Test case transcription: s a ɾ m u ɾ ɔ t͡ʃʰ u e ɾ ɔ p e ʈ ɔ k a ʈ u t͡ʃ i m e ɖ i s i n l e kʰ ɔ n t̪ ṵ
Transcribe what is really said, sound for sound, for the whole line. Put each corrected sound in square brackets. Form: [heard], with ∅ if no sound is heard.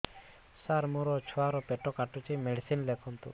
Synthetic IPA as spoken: s a ɾ m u ɾ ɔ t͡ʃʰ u [a] ɾ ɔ p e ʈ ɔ k a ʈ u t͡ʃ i m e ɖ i s i n l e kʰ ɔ n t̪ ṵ